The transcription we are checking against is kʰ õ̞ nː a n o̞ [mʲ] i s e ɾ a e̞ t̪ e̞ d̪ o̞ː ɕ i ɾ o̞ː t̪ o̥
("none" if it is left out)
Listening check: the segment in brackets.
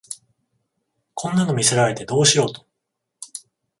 mʲ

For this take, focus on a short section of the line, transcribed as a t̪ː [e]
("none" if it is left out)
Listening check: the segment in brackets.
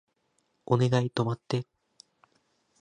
e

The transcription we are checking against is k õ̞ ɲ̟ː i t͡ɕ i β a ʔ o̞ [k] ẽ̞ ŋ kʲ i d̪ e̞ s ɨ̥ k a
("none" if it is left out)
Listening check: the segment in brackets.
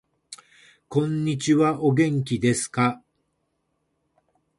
ɡ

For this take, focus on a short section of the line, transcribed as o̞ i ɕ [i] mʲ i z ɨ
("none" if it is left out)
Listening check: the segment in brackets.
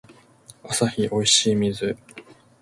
iː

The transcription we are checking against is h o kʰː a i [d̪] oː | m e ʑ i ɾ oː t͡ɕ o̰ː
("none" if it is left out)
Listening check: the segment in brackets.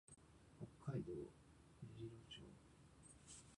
d̪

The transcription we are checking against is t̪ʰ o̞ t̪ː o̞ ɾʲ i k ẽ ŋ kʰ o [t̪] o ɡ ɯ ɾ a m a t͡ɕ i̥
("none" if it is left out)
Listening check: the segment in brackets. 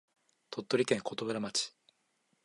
t̪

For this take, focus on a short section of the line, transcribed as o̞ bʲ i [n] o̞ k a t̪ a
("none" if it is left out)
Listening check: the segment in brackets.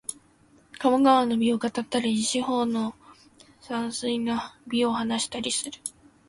none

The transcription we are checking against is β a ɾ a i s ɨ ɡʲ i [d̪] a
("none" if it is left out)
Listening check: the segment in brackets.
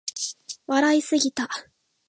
t̪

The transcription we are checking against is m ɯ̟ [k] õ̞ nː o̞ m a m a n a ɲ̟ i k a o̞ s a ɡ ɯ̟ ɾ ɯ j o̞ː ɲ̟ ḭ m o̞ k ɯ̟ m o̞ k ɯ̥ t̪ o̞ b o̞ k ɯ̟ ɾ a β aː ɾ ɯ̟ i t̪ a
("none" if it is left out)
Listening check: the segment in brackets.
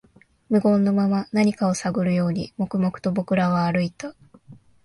ɡ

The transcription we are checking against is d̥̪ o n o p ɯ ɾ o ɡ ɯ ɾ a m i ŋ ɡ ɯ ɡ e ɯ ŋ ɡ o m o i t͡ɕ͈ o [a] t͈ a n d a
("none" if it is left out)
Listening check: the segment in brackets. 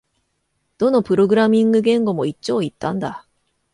i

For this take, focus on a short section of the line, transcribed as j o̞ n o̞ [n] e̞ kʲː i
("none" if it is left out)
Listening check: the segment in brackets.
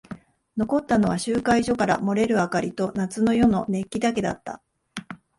n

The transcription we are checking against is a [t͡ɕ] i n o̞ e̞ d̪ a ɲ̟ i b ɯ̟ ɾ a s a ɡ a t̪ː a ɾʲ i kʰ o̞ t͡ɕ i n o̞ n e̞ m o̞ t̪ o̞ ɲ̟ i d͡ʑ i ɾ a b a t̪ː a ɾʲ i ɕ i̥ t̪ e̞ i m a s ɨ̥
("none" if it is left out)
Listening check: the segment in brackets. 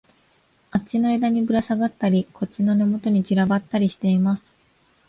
t͡ɕ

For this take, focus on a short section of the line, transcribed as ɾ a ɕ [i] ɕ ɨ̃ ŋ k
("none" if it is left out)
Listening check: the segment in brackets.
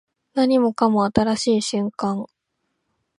iː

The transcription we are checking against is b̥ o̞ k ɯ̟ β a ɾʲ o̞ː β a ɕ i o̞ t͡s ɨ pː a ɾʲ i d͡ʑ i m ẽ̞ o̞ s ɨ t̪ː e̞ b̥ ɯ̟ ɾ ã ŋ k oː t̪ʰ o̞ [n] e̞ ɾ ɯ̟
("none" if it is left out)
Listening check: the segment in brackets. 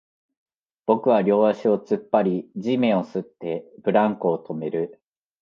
m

